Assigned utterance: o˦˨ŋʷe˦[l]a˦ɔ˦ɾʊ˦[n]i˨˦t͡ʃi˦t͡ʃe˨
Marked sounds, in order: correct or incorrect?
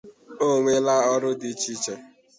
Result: correct, incorrect: d

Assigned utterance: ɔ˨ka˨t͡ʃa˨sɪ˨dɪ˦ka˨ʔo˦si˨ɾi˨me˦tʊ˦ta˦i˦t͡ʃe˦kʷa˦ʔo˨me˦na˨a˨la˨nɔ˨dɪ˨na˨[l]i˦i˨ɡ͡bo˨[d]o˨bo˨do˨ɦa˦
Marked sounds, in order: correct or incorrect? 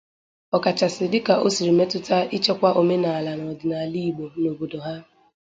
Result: correct, incorrect: n

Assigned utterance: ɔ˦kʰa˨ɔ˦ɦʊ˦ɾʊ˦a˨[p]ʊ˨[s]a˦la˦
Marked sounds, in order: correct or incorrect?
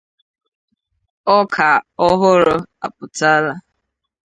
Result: correct, incorrect: t

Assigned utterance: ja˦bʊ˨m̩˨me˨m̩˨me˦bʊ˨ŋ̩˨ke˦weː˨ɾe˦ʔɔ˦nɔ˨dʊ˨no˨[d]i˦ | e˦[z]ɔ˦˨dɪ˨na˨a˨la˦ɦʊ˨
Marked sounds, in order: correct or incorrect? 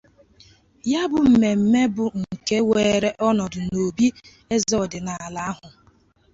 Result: incorrect: b, correct

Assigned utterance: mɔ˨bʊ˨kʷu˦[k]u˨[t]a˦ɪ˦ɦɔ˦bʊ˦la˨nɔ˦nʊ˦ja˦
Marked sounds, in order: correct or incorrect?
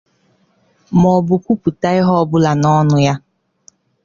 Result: incorrect: p, correct

